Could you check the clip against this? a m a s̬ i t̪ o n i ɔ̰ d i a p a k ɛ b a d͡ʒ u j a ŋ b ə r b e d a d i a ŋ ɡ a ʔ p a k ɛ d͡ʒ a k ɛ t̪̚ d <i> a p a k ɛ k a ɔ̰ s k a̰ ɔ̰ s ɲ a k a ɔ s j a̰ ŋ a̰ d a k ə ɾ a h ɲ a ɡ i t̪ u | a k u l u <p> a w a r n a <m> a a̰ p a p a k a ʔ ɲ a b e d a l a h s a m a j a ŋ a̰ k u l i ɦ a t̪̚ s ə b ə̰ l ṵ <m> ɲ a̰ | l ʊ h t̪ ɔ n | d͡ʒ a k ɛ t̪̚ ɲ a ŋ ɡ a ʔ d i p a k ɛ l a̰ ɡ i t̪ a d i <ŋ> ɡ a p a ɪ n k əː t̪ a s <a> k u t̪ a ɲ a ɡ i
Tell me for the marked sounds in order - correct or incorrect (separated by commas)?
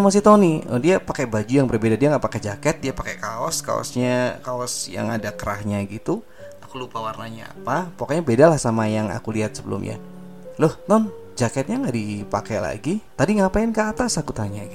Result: correct, correct, incorrect, correct, correct, correct